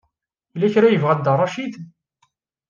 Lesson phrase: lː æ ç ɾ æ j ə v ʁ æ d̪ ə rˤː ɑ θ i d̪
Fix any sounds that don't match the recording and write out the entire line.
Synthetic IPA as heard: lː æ ç ɾ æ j ə v ʁ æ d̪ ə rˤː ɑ ʃ i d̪